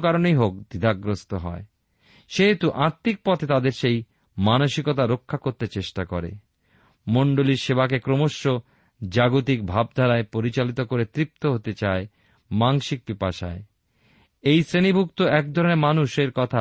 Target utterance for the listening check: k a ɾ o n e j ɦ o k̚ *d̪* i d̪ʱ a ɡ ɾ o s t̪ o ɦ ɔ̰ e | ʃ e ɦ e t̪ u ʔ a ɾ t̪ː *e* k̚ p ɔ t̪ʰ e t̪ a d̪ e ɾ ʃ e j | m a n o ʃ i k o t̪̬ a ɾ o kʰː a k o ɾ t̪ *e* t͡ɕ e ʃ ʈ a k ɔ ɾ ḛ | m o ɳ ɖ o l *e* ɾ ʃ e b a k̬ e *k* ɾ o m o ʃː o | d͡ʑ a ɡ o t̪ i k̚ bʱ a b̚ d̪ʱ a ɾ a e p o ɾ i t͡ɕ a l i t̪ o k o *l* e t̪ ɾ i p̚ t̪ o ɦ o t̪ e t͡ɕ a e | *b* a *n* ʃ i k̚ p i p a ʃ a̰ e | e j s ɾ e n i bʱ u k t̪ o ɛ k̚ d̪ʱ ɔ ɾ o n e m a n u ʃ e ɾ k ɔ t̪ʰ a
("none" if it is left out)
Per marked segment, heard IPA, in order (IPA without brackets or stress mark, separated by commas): d̪, i, e, i, k, ɾ, m, ŋ